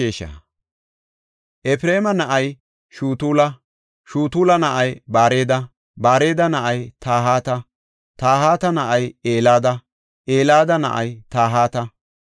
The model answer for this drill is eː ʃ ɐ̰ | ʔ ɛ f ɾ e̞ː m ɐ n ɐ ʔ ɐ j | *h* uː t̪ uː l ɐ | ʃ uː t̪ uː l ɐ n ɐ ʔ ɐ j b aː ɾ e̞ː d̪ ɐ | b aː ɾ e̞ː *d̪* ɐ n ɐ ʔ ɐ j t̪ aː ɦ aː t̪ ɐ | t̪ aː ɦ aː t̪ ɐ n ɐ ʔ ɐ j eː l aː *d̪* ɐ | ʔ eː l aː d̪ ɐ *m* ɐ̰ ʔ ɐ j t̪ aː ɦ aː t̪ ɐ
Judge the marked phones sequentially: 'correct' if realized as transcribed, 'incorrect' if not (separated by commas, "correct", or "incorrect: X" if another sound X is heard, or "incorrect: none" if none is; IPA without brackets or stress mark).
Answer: incorrect: ʃ, correct, correct, incorrect: n